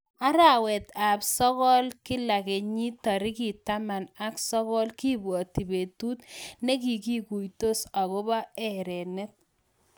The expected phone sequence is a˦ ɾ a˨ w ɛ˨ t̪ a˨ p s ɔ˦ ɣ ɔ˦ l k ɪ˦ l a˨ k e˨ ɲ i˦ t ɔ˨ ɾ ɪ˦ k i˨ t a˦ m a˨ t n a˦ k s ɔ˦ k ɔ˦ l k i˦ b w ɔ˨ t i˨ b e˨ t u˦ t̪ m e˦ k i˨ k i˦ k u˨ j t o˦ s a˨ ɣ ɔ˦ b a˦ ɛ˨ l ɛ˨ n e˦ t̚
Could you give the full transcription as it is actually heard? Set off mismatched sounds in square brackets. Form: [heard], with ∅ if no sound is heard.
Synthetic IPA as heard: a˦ ɾ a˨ w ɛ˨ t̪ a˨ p s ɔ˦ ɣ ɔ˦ l k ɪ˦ l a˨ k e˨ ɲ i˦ t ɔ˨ ɾ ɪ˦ k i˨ t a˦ m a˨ [∅] n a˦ k s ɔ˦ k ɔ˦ l k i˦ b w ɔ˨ t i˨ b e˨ t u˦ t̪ [n] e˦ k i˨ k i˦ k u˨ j t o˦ s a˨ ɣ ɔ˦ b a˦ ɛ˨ [ɾ] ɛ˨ n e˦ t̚